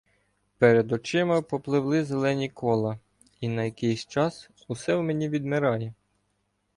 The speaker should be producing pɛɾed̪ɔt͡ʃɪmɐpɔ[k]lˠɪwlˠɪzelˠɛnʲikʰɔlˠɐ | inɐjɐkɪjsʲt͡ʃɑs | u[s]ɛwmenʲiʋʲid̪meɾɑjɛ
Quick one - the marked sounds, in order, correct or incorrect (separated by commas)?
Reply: incorrect, correct